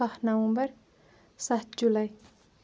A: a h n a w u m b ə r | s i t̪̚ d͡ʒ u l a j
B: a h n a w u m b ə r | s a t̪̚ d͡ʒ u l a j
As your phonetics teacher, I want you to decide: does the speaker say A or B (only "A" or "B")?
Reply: B